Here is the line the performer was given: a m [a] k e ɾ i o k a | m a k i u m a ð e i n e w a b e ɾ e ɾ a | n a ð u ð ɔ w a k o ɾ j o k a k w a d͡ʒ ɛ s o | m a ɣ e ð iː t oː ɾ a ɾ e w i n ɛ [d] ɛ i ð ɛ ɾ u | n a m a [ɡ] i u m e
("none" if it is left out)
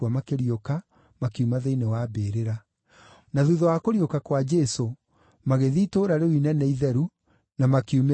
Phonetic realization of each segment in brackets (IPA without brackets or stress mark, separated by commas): a, n, k